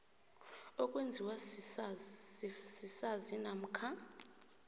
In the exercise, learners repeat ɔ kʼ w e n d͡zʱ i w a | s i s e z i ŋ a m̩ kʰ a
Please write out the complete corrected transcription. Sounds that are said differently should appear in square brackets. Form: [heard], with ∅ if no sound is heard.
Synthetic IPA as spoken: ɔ kʼ w e n d͡zʱ i w a | s i s [a] z i [n] a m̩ kʰ a

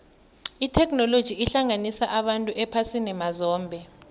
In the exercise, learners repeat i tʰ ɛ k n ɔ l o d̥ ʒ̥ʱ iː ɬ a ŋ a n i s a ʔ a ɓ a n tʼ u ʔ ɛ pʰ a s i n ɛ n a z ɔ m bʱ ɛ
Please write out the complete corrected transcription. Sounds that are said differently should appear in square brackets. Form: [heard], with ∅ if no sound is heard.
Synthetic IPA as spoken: i tʰ ɛ k n ɔ l o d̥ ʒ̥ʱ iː ɬ a ŋ a n i s a ʔ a ɓ a n tʼ u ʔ ɛ pʰ a s i n ɛ [m] a z [ɔː] m bʱ ɛ

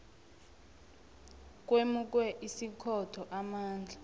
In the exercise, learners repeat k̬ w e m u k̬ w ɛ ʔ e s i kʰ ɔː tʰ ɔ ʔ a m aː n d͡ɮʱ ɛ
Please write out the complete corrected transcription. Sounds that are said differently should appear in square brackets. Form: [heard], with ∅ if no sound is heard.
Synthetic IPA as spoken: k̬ w e m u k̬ w ɛ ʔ [i] s i kʰ [ɔ] tʰ ɔ ʔ a m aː n d͡ɮʱ [a]

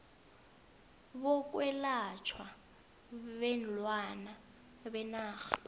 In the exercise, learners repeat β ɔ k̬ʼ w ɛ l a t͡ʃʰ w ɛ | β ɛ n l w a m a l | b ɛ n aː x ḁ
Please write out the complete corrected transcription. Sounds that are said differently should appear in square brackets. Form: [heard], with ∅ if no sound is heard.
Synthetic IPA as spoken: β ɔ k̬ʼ w ɛ l a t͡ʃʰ w [a] | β ɛ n l w a [n] a [∅] | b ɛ n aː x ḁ

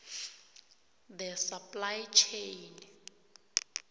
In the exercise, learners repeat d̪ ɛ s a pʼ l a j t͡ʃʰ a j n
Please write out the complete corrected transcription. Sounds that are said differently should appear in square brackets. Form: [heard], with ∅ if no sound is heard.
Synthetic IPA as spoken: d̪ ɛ s a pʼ l a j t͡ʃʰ [e] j n

